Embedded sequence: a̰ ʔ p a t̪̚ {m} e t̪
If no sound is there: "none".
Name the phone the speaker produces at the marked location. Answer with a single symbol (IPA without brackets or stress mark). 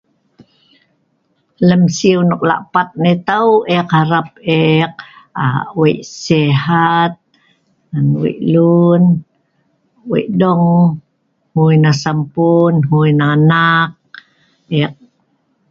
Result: n